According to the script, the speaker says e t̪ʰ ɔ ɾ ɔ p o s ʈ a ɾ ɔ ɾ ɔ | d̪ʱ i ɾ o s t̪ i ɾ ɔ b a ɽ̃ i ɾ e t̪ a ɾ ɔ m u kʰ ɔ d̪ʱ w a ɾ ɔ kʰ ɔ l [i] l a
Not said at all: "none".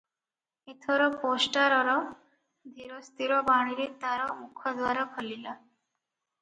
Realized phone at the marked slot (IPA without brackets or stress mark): i